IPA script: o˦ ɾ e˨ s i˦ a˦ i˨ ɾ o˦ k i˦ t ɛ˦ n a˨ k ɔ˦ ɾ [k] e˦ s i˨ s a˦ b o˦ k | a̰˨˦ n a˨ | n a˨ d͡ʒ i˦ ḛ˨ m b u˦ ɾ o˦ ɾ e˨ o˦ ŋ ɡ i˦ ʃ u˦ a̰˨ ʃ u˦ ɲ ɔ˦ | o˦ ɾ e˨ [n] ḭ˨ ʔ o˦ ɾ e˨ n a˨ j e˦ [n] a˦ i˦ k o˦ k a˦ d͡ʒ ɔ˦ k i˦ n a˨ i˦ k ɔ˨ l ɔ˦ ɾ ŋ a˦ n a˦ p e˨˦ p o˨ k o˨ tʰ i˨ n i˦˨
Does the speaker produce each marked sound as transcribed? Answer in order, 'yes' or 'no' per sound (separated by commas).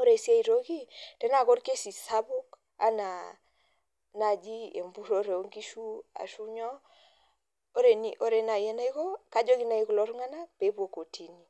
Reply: yes, yes, yes